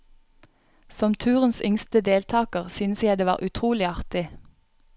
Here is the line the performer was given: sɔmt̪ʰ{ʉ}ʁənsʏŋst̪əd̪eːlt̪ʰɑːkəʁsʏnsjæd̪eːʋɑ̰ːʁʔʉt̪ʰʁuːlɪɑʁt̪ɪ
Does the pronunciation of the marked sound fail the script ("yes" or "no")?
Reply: yes